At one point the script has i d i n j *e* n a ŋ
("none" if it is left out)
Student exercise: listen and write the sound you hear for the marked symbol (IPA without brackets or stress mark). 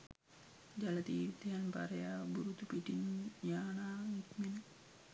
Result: a